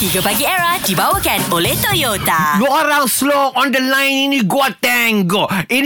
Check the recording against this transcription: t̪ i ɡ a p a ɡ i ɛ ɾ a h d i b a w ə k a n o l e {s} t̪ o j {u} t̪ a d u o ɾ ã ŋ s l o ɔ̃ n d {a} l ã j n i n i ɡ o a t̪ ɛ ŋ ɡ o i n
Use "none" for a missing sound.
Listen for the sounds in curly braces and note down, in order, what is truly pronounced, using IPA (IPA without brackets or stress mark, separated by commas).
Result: h, o, ə